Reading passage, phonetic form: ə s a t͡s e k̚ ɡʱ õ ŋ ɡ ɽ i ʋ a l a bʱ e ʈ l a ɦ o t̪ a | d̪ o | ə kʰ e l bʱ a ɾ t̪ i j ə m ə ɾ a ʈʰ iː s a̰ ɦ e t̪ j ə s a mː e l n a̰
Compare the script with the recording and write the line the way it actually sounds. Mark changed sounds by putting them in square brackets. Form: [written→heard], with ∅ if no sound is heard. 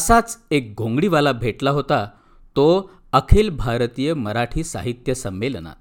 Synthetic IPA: ə s a t͡s e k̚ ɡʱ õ ŋ ɡ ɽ i ʋ a l a bʱ e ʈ l a ɦ o t̪ a | [d̪→t̪] o | ə kʰ e l bʱ a ɾ t̪ i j ə m ə ɾ a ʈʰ iː s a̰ ɦ [e→i] t̪ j ə s [a→ə] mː e l n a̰